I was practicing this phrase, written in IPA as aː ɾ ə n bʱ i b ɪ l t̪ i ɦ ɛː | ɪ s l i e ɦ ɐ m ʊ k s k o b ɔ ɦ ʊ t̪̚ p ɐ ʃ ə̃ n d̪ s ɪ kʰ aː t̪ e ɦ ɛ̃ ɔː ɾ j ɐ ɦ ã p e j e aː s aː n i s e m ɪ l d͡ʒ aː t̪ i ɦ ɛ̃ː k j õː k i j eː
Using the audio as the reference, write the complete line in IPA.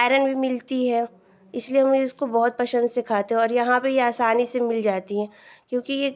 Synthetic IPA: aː ɾ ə n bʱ i m ɪ l t̪ i ɦ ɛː | ɪ s l i e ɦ ɐ m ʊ s k o b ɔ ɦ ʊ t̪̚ p ɐ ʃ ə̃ n d̪ s ɪ kʰ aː t̪ e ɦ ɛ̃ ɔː ɾ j ɐ ɦ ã p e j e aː s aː n i s e m ɪ l d͡ʒ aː t̪ i ɦ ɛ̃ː k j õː k i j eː

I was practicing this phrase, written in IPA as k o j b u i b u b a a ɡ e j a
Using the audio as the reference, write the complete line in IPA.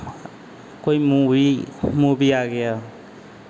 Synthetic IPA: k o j m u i m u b i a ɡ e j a

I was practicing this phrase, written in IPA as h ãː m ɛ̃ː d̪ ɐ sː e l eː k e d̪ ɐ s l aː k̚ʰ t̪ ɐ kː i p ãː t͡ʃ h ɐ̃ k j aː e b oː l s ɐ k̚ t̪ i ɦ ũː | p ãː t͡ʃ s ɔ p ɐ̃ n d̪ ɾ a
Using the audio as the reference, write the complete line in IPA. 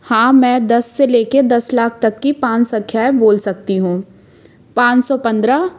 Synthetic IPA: h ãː m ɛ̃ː d̪ ɐ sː e l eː k e d̪ ɐ s l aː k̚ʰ t̪ ɐ kː i p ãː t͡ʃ s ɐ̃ kʰ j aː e b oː l s ɐ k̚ t̪ i ɦ ũː | p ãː t͡ʃ s ɔ p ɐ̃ n d̪ ɾ a

